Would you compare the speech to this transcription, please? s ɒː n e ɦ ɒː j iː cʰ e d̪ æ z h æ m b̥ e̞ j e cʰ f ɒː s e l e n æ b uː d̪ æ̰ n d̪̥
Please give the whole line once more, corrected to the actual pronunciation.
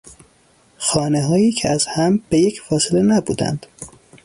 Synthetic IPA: x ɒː n e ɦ ɒː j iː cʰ e æ z h æ m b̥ e̞ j e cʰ f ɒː s e l e n æ b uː d̪ æ̰ n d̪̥